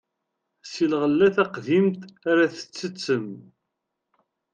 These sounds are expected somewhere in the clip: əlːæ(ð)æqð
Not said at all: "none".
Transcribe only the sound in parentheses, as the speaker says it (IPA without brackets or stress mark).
θ